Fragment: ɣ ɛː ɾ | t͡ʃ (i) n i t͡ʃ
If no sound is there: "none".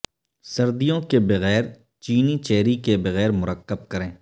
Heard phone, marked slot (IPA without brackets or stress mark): iː